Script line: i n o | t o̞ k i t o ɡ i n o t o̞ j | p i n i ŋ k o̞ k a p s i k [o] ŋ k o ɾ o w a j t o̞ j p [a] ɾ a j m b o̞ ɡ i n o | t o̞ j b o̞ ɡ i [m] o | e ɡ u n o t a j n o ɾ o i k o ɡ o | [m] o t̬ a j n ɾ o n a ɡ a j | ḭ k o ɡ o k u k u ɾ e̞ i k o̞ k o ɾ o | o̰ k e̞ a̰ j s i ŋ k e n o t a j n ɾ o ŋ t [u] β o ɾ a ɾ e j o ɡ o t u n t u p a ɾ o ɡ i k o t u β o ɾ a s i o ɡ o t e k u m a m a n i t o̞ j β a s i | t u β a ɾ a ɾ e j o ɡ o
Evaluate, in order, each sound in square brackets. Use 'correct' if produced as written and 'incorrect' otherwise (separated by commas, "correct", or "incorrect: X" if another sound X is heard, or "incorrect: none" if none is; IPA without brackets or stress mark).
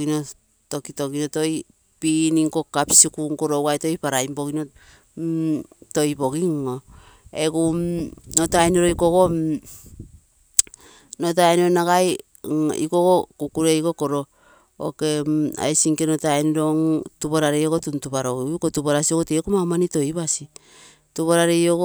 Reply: incorrect: u, correct, incorrect: ŋ, incorrect: n, correct